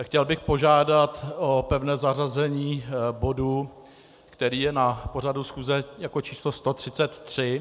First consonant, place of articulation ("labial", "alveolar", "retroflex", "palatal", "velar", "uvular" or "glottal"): velar